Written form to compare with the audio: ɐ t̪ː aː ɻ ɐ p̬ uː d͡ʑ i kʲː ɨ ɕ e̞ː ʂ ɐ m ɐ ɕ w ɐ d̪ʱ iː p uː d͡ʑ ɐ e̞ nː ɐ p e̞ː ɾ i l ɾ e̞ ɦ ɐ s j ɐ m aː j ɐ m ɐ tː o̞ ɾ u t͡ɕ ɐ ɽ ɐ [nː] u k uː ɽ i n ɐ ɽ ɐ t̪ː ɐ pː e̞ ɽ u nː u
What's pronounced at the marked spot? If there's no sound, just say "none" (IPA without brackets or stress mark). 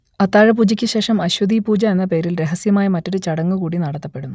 ŋː